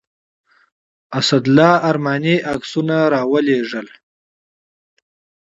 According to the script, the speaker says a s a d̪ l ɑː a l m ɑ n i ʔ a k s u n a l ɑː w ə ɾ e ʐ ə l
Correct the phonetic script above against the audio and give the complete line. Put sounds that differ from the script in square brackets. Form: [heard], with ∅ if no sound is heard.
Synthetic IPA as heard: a s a d̪ l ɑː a [ɾ] m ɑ n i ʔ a k s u n a [ɾ] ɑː w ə [l] e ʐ ə l